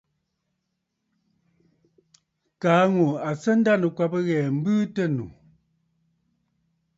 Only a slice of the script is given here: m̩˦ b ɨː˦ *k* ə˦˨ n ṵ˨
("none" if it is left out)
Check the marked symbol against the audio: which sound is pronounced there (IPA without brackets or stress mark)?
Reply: t